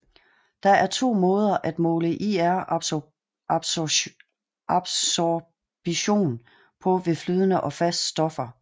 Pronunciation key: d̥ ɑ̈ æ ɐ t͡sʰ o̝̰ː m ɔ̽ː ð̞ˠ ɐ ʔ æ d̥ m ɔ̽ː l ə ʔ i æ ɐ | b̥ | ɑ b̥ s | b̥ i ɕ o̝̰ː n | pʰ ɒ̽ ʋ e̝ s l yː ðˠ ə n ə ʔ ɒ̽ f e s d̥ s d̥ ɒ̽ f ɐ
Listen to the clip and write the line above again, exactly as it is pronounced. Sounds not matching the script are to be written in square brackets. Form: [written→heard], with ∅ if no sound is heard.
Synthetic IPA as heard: d̥ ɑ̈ æ ɐ t͡sʰ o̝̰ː m ɔ̽ː ð̞ˠ ɐ ʔ æ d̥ m ɔ̽ː l ə ʔ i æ ɐ | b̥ | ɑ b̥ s | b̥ i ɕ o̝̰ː n | pʰ ɒ̽ ʋ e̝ [s→f] l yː ðˠ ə n ə ʔ ɒ̽ f [e→æ] s d̥ s d̥ ɒ̽ f ɐ